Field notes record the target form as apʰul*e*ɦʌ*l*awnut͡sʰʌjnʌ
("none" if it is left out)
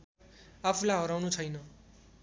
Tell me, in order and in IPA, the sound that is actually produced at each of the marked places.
a, ɾ

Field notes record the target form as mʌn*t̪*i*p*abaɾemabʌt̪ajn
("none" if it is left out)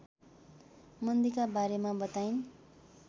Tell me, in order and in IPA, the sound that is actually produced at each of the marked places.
d̪, k

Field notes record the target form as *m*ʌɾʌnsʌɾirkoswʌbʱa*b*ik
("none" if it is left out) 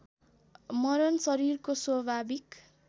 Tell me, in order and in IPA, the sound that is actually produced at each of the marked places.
m, b

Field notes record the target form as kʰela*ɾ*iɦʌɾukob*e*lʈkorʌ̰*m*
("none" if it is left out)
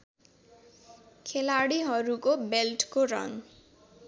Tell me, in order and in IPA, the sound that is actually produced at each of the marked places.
ɽ, e, ŋ

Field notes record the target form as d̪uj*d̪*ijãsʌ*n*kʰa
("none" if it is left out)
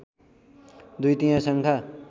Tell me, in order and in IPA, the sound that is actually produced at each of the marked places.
t̪, ŋ

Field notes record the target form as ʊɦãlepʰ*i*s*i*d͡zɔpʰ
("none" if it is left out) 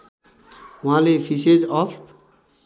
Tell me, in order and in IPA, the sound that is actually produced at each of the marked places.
i, e

